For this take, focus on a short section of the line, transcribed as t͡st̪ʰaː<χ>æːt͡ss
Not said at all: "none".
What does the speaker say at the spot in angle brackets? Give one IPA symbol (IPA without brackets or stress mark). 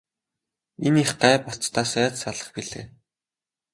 s